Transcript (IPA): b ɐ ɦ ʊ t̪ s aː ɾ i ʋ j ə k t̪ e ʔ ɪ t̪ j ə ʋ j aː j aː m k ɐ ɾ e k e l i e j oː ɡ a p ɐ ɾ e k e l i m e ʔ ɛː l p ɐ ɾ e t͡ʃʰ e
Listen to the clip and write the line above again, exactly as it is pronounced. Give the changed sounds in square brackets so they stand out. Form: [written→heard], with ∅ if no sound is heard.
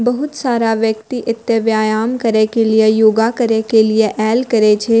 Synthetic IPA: b ɐ ɦ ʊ t̪ s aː ɾ [i→a] ʋ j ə k t̪ [e→i] ʔ ɪ t̪ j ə ʋ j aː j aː m k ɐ ɾ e k e l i e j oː ɡ a [p→k] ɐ ɾ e k e l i [m→∅] e ʔ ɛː l [p→k] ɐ ɾ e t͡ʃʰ e